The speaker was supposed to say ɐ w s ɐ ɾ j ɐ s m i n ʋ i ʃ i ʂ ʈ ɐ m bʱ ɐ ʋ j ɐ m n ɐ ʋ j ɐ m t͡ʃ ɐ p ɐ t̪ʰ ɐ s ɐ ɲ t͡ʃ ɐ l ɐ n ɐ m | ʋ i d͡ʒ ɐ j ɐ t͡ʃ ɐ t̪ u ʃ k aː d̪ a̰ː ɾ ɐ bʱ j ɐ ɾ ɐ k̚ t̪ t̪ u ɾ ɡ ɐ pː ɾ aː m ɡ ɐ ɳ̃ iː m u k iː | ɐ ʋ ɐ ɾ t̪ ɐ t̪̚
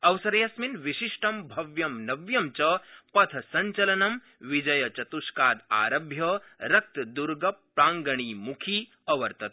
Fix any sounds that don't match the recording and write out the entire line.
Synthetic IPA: ɐ w s ɐ ɾ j ɐ s m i n ʋ i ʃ i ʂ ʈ ɐ m bʱ ɐ ʋ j ɐ m n ɐ ʋ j ɐ m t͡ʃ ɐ p ɐ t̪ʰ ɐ s ɐ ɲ t͡ʃ ɐ l ɐ n ɐ m | ʋ i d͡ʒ ɐ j ɐ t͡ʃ ɐ t̪ u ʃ k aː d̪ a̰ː ɾ ɐ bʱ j ɐ ɾ ɐ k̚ t̪ d̪ u ɾ ɡ ɐ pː ɾ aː ŋ ɡ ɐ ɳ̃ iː m u kʰ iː | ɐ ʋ ɐ ɾ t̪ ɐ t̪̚